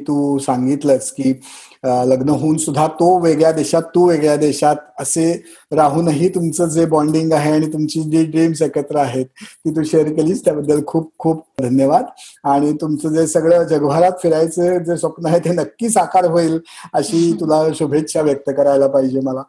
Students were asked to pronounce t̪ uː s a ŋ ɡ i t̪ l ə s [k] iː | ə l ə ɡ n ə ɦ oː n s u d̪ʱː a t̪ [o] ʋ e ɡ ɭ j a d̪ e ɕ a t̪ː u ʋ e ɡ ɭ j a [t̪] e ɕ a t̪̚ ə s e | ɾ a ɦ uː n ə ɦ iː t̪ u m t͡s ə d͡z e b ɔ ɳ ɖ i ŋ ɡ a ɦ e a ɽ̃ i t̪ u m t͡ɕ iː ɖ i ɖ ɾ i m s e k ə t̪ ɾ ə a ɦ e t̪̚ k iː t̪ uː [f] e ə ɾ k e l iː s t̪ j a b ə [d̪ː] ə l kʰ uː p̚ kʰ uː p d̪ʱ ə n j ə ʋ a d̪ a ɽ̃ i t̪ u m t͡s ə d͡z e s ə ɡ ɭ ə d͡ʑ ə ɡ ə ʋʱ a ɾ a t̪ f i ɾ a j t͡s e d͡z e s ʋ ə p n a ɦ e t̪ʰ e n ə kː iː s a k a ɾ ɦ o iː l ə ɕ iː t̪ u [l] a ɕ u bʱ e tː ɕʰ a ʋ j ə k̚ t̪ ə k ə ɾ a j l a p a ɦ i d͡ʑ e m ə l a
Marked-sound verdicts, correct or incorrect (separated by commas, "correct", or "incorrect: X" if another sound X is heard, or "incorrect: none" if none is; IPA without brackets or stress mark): correct, correct, incorrect: d̪, incorrect: ɕ, correct, correct